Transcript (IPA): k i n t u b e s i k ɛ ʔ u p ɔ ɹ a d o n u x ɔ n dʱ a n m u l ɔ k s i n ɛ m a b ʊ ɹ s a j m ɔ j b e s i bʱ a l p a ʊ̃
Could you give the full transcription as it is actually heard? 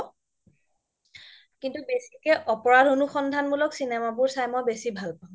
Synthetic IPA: k i n t u b e s i k ɛ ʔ ɔ p ɔ ɹ a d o n u x ɔ n dʱ a n m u l ɔ k s i n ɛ m a b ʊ ɹ s a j m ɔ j b e s i bʱ a l p a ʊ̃